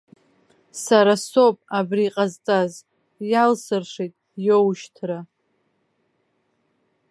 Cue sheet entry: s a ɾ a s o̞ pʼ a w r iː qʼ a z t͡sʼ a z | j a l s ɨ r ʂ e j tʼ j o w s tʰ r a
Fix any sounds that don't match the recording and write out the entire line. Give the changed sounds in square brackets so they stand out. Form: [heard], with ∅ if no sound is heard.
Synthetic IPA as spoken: s a ɾ a s o̞ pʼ a [b] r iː qʼ a z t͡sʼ a z | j a l s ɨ r ʂ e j tʼ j o w [ʃ] tʰ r a